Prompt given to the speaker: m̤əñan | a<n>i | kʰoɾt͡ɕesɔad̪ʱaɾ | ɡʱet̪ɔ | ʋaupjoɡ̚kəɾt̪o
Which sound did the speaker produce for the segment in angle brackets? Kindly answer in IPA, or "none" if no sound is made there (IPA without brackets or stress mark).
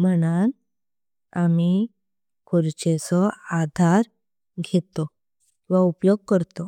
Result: m